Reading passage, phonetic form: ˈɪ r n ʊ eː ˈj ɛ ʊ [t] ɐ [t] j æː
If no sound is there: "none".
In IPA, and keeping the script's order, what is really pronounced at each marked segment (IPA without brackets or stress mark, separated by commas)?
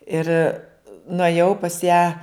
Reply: p, s